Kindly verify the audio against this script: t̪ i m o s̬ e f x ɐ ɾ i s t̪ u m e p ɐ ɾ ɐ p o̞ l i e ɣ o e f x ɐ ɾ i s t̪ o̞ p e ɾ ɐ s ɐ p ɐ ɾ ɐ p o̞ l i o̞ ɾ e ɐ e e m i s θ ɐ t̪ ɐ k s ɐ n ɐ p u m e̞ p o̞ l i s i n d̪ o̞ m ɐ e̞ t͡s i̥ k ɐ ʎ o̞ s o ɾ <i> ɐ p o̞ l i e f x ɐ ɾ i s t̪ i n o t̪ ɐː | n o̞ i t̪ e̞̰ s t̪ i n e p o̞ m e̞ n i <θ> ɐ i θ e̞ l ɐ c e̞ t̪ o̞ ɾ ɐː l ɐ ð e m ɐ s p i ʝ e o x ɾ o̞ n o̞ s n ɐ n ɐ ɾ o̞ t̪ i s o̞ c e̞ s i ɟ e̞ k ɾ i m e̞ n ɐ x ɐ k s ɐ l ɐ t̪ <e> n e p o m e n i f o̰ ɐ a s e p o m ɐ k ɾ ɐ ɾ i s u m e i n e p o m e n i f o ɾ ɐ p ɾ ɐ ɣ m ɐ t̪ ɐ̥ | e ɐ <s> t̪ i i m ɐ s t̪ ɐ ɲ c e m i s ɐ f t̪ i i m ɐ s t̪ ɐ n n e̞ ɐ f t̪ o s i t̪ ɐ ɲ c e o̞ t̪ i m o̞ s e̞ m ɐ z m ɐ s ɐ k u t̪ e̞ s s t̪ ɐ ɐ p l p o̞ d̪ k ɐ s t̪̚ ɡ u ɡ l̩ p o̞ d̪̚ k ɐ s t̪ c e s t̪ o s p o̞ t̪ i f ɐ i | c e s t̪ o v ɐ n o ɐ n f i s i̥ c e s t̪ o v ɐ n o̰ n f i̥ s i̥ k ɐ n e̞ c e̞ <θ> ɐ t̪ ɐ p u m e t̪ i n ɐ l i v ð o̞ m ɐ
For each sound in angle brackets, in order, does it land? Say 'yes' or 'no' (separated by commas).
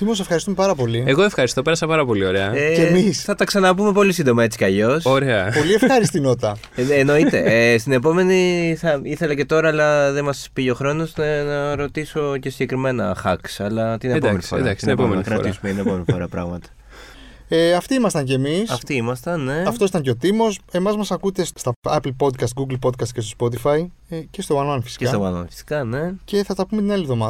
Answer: no, yes, no, no, yes